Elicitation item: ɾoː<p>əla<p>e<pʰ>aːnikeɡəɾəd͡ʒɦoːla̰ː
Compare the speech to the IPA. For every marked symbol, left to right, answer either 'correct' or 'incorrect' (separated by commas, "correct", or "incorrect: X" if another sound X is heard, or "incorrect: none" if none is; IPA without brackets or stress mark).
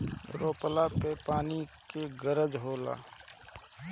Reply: correct, correct, incorrect: p